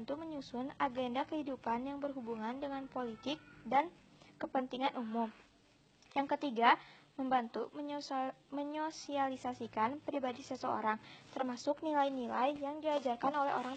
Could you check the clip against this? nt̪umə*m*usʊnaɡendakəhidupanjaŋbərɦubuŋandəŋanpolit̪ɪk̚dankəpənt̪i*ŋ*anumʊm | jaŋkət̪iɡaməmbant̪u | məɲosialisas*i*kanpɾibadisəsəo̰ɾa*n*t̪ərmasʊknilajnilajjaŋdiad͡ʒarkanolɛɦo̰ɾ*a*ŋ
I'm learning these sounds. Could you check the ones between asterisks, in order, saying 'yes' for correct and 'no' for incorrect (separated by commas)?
no, yes, yes, no, yes